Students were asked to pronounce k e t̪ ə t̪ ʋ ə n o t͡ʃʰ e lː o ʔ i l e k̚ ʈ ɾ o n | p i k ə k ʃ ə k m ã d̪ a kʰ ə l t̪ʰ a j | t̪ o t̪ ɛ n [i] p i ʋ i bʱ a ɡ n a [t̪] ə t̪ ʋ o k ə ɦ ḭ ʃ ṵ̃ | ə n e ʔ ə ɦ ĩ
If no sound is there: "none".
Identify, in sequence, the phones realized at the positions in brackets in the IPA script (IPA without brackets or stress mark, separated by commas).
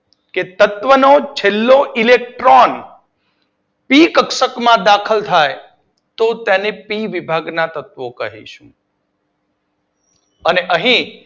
e, t̪